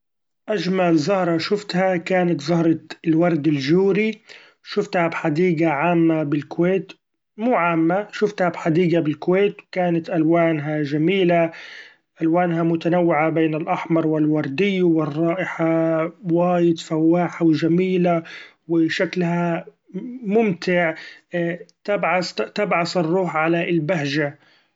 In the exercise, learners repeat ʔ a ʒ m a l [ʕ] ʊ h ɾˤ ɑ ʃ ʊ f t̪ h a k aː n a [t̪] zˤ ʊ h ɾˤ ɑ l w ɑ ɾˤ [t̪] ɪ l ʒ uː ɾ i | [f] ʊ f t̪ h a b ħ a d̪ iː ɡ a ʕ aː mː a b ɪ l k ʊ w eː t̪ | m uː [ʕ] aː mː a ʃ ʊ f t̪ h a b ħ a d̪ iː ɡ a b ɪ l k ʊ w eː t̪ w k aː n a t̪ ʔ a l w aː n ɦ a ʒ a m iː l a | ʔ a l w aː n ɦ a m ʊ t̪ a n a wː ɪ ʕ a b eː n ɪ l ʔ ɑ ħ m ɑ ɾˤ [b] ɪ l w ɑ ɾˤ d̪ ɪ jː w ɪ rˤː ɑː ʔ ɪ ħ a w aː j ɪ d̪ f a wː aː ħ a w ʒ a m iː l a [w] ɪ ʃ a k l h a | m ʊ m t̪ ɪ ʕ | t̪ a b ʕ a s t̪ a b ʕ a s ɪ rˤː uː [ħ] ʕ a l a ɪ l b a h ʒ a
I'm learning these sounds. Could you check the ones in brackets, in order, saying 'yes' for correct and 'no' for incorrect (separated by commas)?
no, yes, no, no, yes, no, yes, yes